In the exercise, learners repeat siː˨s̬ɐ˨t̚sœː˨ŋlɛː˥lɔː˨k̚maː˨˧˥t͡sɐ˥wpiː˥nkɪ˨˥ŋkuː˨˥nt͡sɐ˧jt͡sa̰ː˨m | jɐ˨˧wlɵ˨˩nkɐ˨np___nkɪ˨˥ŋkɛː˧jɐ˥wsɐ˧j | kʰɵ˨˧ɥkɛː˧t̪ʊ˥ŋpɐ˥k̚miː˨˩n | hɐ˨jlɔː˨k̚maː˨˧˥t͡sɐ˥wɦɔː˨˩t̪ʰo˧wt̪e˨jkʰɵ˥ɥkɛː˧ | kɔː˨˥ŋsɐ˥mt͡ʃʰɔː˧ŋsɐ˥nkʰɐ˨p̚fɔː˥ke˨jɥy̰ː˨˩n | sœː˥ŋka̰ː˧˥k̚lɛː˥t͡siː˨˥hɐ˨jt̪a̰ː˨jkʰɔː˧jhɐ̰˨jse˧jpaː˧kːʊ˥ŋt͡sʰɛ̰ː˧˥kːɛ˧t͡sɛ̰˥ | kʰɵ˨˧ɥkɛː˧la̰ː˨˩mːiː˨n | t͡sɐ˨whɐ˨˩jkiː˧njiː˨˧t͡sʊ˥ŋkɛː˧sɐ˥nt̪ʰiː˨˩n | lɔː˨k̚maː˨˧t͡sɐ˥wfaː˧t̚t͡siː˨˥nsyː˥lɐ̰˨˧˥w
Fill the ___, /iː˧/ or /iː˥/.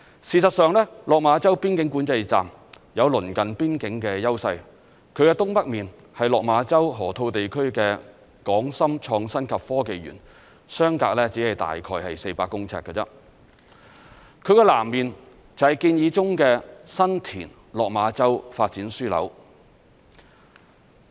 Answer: iː˥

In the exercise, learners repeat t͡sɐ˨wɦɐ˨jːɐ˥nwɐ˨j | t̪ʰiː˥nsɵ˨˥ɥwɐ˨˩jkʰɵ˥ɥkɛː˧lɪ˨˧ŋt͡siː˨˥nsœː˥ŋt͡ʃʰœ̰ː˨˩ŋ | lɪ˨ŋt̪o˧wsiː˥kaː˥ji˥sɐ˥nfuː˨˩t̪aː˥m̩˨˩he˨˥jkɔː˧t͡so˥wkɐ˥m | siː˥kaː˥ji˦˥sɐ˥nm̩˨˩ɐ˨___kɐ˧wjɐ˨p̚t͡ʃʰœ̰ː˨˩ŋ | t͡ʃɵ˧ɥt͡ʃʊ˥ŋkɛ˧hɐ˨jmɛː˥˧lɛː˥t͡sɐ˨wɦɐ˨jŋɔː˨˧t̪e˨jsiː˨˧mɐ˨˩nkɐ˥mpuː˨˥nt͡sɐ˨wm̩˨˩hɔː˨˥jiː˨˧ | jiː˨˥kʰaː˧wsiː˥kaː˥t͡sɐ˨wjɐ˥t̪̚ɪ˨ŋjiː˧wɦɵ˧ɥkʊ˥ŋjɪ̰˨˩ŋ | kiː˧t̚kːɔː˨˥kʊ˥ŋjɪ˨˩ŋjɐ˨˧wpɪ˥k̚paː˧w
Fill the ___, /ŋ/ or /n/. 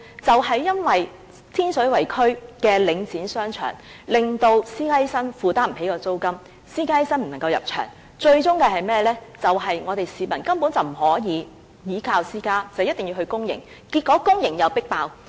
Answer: ŋ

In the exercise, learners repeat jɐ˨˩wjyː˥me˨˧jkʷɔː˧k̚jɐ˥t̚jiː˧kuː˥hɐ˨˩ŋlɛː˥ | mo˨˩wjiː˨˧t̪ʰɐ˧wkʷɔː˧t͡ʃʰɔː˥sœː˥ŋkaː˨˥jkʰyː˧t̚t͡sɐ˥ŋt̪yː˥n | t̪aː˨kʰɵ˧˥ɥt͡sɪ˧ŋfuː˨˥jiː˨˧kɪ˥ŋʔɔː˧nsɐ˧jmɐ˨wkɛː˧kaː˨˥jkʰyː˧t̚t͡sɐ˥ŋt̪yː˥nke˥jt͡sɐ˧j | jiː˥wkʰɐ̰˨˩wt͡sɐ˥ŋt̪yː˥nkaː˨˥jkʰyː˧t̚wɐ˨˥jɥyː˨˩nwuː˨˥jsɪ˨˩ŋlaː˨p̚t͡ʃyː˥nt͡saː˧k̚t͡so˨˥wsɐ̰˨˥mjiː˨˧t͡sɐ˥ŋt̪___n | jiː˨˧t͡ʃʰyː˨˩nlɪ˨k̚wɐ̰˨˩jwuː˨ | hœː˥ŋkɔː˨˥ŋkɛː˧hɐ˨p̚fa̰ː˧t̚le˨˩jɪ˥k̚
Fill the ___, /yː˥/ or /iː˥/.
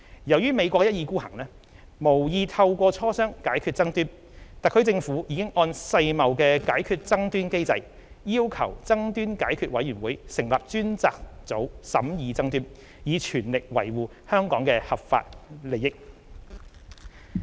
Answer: yː˥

